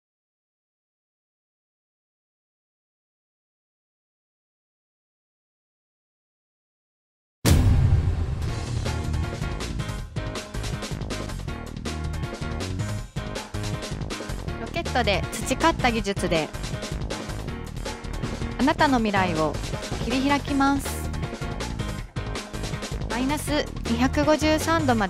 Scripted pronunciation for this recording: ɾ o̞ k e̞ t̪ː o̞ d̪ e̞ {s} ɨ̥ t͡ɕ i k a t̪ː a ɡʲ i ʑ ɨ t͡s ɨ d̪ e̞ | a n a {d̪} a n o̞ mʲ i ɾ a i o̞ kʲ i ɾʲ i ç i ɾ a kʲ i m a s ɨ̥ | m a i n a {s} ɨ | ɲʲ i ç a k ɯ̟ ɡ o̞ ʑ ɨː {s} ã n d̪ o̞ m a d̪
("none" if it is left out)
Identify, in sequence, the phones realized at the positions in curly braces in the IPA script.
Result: t͡s, t̪, s, s

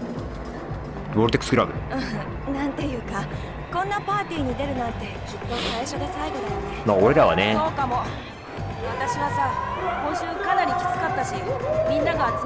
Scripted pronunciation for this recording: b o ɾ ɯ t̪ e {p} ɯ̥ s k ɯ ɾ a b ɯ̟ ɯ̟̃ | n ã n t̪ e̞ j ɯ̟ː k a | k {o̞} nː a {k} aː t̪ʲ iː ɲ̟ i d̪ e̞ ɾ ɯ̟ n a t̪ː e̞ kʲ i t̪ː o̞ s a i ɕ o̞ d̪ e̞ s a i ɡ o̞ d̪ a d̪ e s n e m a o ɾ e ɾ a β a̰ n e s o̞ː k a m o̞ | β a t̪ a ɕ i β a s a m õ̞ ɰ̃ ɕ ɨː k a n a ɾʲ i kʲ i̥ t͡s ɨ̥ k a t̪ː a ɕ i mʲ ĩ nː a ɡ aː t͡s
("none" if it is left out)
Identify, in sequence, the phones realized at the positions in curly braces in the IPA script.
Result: k, õ̞, p

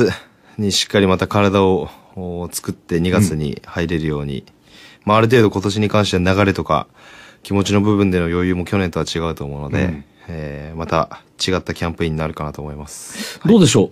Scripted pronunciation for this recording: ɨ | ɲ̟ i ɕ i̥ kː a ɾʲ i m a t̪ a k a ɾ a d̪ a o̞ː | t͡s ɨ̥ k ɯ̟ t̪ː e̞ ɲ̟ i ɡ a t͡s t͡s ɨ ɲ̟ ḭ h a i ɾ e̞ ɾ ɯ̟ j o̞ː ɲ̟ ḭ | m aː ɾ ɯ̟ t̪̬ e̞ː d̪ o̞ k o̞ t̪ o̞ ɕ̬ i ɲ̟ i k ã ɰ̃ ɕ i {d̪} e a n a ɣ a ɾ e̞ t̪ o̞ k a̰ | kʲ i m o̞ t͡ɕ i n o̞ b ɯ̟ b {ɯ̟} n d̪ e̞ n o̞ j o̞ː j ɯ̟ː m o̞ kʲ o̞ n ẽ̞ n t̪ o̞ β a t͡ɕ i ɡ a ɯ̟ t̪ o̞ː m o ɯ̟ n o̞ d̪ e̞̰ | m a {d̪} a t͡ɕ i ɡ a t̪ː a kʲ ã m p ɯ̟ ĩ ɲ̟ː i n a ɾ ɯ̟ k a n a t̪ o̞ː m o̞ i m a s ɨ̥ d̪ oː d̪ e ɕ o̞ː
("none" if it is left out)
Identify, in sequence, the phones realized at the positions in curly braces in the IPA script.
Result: t̪, ɯ̟̃, t̪

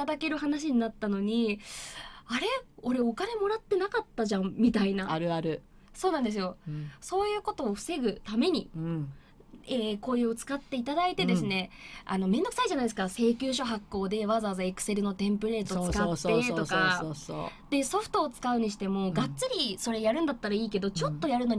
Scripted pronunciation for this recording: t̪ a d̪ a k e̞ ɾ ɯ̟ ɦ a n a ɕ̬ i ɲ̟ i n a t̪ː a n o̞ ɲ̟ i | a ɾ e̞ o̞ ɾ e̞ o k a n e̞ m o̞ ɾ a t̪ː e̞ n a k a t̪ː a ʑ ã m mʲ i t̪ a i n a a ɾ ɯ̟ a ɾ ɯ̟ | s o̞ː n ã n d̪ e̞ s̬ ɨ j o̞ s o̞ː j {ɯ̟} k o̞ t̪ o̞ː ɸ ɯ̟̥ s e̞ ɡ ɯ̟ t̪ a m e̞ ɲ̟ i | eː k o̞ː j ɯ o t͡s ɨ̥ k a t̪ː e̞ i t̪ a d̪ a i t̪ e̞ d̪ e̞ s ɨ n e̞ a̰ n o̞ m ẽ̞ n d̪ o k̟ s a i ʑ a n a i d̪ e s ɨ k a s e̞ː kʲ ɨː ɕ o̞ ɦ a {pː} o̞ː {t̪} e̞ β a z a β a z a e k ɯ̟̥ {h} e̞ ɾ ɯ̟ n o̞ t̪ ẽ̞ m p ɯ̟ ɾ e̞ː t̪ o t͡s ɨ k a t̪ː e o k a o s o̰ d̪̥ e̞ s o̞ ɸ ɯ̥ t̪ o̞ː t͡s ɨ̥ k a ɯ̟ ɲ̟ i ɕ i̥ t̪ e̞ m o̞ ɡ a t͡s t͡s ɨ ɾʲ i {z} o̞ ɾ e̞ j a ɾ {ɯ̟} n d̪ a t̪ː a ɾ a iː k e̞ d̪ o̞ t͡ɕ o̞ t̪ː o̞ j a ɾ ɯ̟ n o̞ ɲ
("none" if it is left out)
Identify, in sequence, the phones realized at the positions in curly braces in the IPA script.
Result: ɯ̟ː, kː, d̪, s, s, ɯ̟̃

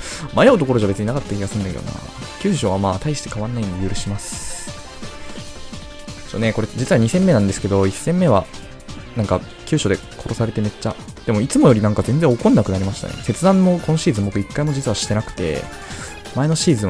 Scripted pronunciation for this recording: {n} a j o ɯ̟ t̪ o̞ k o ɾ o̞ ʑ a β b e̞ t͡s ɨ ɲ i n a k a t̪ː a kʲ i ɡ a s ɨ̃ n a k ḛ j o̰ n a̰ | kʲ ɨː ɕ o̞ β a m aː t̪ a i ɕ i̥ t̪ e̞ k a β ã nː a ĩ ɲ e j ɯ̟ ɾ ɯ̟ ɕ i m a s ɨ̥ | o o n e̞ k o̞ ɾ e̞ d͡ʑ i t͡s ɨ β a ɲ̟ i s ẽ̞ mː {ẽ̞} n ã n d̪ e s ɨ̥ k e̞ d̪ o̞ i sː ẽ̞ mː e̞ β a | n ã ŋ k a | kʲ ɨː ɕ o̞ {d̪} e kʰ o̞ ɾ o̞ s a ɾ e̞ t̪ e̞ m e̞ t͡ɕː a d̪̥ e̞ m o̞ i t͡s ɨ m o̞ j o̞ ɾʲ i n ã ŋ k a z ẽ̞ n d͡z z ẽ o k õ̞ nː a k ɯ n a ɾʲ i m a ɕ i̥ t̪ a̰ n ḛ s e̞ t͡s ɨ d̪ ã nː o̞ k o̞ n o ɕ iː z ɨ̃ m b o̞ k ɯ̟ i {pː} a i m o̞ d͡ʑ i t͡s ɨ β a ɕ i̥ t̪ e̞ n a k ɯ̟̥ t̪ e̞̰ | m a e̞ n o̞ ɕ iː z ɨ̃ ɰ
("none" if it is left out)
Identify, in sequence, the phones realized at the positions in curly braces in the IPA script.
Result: m, e̞, d̪, kː

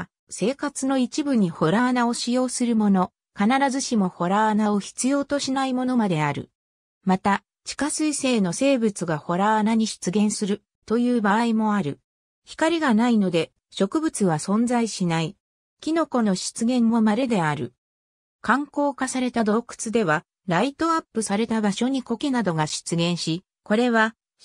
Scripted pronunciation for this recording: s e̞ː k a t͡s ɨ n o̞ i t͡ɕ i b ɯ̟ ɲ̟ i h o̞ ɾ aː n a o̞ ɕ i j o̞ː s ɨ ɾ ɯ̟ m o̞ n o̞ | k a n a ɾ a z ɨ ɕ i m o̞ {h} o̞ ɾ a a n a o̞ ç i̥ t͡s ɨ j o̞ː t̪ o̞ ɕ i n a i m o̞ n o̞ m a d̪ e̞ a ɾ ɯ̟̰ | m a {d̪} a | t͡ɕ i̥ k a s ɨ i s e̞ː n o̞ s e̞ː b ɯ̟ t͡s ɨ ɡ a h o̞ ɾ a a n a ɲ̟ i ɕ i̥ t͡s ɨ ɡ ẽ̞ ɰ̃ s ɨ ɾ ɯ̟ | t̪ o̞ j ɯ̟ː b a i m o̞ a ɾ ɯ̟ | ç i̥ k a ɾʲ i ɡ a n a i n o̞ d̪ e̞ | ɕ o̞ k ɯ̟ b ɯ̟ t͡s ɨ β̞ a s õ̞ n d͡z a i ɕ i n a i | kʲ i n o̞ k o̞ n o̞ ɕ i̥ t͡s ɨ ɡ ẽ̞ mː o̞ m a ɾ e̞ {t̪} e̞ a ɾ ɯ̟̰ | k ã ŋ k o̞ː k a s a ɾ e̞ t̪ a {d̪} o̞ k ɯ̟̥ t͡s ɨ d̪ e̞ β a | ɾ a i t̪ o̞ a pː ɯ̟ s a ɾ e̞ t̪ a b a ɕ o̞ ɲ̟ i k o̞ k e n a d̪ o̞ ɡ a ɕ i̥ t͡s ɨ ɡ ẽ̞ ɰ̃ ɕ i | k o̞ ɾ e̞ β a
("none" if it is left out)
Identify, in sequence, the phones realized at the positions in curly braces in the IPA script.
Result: h, t̪, d̪, d̪

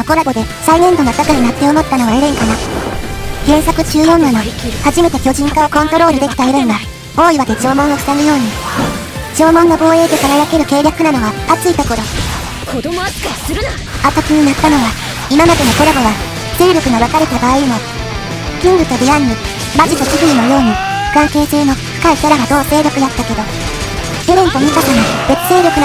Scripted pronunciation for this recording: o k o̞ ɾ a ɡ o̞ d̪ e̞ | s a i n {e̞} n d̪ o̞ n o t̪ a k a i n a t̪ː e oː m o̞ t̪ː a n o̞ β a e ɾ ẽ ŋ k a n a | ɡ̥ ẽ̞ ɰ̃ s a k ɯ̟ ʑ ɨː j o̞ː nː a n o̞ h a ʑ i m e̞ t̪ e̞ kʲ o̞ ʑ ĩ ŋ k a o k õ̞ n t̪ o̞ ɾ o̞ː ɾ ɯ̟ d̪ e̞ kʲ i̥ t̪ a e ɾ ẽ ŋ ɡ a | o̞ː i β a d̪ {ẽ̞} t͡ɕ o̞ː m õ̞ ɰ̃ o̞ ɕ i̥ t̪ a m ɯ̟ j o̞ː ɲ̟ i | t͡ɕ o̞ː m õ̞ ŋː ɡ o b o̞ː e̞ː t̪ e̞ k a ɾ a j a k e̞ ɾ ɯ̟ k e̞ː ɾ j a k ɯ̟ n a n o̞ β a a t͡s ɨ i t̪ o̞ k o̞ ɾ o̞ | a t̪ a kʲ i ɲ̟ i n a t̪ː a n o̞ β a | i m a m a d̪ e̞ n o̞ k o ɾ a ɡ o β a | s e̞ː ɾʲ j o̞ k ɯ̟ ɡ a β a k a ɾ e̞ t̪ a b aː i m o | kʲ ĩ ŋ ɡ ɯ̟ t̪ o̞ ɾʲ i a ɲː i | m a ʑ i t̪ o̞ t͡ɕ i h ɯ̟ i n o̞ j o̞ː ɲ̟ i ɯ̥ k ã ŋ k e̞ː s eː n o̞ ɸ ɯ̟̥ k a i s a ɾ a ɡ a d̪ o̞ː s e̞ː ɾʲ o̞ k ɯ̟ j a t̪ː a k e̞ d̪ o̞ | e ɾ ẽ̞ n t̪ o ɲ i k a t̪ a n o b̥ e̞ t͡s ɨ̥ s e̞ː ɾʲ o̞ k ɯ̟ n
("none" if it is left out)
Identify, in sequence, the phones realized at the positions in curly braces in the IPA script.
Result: ẽ̞, e̞

